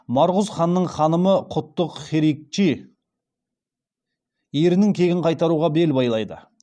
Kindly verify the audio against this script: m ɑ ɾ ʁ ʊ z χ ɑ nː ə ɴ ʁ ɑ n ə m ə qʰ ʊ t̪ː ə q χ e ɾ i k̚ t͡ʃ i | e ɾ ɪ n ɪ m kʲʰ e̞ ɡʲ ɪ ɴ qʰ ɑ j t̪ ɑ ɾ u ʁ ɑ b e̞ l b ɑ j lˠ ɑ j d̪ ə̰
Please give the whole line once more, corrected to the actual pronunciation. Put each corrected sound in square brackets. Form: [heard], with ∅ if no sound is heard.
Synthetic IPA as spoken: m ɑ ɾ ʁ ʊ z χ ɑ nː ə ɴ [χ] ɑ n ə m ə qʰ ʊ t̪ː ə q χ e ɾ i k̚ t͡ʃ i | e ɾ ɪ n ɪ [ŋ] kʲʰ e̞ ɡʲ ɪ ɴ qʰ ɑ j t̪ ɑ ɾ u ʁ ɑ b e̞ l b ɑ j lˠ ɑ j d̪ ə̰